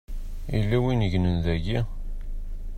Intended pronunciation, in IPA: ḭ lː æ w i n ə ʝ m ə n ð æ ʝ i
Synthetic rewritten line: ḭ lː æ w i n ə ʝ n ə n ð æ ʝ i